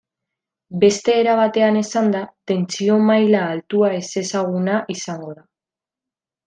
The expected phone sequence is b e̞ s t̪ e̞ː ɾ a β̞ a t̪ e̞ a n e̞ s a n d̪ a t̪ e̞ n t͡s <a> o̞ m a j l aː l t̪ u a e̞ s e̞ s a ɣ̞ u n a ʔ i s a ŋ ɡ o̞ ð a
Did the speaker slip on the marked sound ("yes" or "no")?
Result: yes